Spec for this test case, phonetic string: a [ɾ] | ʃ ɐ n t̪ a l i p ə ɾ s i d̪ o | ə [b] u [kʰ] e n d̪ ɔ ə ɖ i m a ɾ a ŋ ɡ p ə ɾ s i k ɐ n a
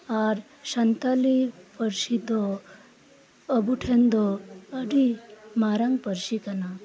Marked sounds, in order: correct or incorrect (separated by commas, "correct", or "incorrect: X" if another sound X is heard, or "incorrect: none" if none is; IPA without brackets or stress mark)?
correct, correct, incorrect: ʈʰ